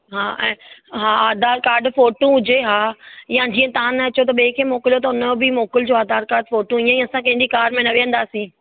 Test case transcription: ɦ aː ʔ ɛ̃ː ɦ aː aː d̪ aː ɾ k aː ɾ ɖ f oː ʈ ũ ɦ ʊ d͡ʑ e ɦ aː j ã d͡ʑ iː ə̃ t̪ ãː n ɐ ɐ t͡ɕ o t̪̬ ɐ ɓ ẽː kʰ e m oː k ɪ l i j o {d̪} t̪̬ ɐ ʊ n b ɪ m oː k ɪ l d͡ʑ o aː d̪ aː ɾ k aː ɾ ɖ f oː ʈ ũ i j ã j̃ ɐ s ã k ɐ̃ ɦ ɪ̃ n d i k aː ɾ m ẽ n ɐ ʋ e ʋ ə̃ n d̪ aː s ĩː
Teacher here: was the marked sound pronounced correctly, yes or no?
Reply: no